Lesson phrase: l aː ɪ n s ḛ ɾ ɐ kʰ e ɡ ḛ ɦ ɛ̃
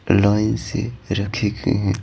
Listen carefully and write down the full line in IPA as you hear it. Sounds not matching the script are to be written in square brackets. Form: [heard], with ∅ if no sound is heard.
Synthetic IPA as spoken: l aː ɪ n s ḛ ɾ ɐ kʰ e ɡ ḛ ɦ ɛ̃